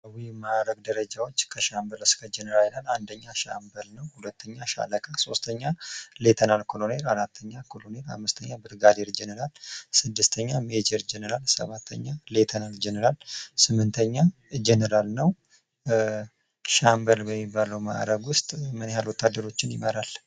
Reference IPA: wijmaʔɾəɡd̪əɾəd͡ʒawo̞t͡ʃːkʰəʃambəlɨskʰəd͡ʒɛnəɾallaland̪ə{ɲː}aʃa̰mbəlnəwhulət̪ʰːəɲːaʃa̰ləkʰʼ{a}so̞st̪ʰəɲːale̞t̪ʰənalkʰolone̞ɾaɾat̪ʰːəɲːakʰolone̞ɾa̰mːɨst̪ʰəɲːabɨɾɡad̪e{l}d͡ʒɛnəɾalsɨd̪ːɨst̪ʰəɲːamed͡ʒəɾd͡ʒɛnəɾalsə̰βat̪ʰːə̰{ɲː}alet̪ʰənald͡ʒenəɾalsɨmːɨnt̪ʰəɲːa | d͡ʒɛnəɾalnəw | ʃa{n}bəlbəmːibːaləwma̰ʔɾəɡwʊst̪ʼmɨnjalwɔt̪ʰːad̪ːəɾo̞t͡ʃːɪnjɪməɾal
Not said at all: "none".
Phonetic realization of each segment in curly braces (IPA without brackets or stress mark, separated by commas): ɲː, a, ɾ, ɲː, m